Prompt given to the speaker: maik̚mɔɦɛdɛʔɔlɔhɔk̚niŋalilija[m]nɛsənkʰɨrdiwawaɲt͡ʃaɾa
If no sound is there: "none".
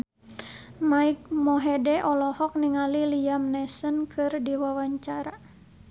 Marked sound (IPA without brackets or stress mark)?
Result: m